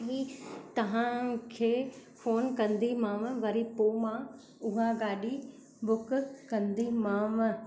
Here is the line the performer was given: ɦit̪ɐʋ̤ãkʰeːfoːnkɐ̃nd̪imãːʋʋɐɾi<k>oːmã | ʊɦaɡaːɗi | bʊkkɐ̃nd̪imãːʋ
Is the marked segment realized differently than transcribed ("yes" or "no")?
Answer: yes